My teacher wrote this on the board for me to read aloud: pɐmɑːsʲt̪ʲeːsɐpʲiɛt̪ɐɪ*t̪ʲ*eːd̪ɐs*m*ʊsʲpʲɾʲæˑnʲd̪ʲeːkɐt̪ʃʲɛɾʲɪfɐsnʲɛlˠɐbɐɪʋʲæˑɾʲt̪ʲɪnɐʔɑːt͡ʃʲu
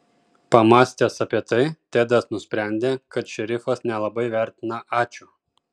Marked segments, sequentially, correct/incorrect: correct, incorrect: n

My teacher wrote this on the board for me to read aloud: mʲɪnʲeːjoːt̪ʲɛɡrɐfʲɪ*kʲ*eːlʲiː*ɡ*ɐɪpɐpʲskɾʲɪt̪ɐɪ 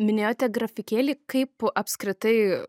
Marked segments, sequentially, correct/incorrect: correct, incorrect: k

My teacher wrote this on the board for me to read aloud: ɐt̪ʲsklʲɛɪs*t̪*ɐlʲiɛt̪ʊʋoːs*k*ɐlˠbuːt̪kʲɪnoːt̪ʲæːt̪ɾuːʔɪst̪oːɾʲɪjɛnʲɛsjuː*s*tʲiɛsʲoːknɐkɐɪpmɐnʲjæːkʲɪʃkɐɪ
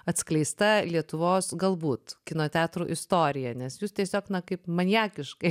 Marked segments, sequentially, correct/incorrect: correct, incorrect: ɡ, correct

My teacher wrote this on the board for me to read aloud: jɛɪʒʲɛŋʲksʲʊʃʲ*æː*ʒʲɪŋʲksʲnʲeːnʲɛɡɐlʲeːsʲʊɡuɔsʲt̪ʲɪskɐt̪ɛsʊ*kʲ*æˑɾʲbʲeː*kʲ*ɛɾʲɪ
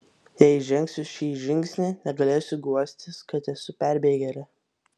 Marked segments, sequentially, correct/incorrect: incorrect: iː, incorrect: pʲ, incorrect: ɡʲ

